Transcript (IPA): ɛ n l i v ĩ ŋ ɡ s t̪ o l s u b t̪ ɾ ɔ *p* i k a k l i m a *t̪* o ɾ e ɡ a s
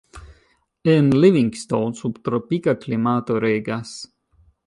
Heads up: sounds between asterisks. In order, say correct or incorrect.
correct, correct

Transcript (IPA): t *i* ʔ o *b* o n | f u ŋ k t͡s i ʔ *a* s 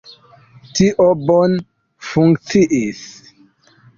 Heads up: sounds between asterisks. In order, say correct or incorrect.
correct, correct, incorrect: i

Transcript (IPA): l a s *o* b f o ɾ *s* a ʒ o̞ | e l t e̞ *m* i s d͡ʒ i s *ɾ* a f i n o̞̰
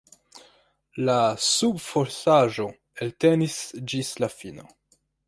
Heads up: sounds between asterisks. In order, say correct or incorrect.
incorrect: u, correct, incorrect: n, incorrect: l

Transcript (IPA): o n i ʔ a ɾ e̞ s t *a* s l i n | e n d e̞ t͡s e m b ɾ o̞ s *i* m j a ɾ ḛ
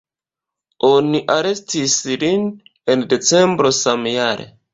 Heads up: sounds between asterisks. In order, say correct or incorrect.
incorrect: i, incorrect: a

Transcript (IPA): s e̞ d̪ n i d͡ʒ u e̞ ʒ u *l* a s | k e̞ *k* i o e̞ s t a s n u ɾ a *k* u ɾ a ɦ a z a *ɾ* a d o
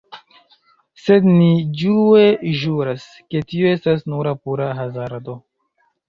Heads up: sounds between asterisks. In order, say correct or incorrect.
incorrect: ɾ, incorrect: t, incorrect: p, correct

